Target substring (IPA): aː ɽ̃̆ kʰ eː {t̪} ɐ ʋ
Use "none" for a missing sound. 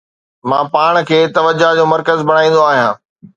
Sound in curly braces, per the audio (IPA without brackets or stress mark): t̪